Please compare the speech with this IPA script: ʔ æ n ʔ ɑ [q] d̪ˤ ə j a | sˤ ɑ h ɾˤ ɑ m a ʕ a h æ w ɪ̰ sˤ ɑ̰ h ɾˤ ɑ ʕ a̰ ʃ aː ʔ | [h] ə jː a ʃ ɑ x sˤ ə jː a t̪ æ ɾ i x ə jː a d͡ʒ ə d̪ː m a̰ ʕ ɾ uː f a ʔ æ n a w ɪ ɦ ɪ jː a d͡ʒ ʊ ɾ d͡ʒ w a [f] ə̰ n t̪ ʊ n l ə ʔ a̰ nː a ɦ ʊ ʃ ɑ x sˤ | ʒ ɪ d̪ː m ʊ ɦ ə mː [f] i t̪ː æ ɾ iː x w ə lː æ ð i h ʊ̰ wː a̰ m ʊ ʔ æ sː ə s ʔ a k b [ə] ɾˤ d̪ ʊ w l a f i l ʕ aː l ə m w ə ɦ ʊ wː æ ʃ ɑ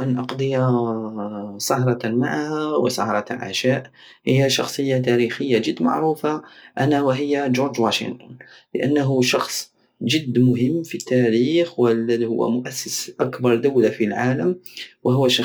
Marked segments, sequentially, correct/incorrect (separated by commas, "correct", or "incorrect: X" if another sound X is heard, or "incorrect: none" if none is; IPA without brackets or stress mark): correct, correct, incorrect: ʃ, correct, incorrect: ɑ